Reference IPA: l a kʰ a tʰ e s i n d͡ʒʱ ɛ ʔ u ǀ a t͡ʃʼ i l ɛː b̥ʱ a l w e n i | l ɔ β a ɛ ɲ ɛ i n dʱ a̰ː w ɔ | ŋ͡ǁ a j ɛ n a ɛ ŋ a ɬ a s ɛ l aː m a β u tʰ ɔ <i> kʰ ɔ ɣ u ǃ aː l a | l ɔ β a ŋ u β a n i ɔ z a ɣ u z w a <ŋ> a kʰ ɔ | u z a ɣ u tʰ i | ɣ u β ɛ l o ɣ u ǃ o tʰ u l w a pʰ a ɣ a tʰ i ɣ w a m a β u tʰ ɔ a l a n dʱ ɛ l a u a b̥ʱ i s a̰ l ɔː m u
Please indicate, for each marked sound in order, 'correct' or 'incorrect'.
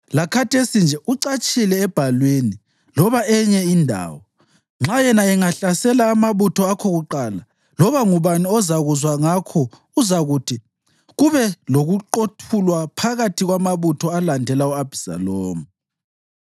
incorrect: a, correct

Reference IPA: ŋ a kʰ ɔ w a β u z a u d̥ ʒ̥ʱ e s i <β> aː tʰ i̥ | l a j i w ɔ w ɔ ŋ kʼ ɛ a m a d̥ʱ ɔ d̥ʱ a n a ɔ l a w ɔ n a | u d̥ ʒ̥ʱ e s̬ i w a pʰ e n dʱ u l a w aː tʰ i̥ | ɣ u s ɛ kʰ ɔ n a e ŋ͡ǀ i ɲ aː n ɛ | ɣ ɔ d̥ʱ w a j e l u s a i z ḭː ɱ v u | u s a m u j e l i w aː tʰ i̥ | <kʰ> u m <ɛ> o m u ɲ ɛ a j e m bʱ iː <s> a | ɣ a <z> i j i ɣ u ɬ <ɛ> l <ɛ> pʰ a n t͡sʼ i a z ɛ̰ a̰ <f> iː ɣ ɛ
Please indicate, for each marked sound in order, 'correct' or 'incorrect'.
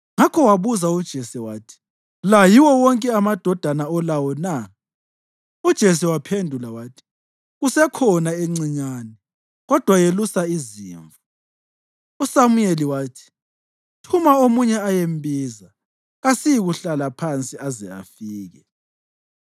incorrect: w, incorrect: tʰ, incorrect: a, incorrect: z, incorrect: s, incorrect: a, incorrect: a, correct

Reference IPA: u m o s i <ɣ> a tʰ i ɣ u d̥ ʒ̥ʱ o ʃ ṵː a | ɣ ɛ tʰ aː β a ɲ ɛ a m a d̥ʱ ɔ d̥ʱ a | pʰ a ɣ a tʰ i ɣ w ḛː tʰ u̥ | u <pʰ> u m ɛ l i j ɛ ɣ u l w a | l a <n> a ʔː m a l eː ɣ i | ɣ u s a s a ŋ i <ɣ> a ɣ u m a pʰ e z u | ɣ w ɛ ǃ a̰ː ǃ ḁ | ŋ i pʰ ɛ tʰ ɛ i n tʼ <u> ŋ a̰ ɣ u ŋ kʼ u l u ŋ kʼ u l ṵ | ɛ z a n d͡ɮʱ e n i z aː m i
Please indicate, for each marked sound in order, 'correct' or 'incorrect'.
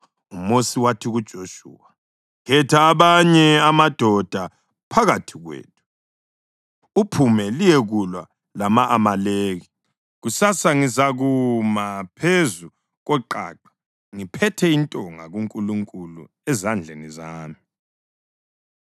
incorrect: w, correct, incorrect: m, incorrect: z, incorrect: ɔ

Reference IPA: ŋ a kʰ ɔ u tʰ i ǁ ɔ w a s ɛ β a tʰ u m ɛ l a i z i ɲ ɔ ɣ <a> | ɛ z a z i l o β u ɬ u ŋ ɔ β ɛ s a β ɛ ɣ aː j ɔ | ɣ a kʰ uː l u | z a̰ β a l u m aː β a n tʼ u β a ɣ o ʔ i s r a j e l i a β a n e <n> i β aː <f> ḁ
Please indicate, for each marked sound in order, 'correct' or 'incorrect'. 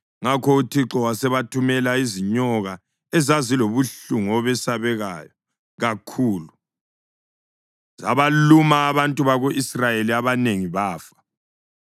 correct, incorrect: ŋ, correct

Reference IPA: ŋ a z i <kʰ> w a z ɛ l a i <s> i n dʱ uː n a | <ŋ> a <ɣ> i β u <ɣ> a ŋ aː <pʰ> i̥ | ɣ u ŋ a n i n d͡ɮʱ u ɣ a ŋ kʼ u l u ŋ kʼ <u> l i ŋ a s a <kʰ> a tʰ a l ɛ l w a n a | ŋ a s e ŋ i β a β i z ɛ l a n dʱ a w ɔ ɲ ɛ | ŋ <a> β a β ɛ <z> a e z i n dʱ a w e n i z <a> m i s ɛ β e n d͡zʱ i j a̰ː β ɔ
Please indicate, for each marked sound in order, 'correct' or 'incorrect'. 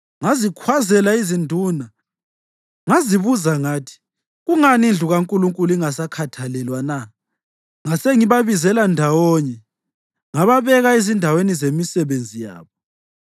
correct, incorrect: z, correct, incorrect: z, incorrect: z, incorrect: tʰ, correct, correct, correct, incorrect: ɣ, incorrect: e

